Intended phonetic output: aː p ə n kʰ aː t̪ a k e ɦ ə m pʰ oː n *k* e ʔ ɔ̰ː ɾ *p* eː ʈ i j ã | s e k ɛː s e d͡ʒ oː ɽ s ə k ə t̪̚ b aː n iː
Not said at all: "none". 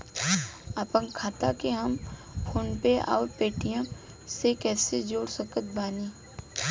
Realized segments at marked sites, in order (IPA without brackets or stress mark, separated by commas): p, p